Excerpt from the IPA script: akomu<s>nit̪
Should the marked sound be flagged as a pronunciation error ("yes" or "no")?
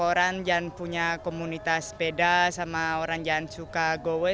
yes